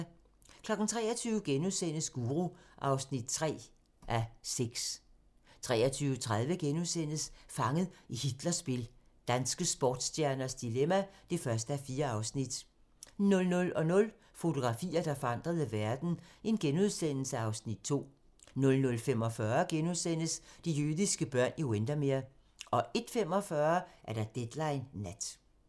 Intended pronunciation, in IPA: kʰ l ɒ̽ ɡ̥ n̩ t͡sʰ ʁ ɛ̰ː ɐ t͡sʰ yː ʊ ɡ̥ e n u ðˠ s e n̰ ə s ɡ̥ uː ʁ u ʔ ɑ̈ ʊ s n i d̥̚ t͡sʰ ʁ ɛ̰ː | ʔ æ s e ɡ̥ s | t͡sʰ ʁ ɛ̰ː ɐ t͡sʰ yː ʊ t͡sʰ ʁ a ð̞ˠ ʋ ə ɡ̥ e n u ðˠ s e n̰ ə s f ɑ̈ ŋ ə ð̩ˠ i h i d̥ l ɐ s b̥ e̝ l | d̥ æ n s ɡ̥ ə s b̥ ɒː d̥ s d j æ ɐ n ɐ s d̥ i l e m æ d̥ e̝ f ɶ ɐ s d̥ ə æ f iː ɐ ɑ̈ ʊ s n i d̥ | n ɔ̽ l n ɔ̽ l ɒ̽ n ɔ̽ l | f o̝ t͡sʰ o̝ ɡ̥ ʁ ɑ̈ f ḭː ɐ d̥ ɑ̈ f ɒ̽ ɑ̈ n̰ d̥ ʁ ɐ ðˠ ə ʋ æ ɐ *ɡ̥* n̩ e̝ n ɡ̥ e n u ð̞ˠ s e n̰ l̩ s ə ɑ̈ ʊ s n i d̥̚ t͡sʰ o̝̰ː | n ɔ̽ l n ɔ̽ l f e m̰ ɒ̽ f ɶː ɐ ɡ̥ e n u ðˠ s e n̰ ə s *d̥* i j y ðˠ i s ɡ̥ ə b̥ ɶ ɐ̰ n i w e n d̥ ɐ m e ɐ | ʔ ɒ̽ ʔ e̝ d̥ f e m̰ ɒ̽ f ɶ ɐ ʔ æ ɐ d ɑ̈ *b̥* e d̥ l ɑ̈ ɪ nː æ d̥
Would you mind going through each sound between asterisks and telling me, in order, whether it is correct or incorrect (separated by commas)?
incorrect, correct, incorrect